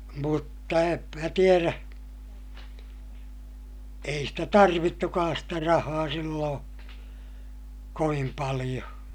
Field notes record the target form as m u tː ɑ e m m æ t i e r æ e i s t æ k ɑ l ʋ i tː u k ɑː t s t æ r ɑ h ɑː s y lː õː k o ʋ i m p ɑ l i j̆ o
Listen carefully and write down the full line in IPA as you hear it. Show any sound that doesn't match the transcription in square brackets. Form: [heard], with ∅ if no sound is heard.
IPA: m u tː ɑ e m m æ t i e r æ e i s t æ [t] ɑ [r] ʋ i tː u k ɑː [s] s t æ r ɑ h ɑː s [i] lː õː k o ʋ i m p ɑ l i j̆ o